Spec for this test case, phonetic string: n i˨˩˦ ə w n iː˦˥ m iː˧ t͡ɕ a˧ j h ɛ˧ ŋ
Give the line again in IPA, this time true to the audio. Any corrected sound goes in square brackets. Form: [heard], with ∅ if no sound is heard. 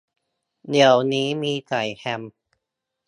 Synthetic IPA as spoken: n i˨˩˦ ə w n iː˦˥ m iː˧ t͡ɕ [a˨˩] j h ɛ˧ [m]